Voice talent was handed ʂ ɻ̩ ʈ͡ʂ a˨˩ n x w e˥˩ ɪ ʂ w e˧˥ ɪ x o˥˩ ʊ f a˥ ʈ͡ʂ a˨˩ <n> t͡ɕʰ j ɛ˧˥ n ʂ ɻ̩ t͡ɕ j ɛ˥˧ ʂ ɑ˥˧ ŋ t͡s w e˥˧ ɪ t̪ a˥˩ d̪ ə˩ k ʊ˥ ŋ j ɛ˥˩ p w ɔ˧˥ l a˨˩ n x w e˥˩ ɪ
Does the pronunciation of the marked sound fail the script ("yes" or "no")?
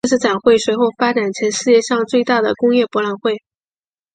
no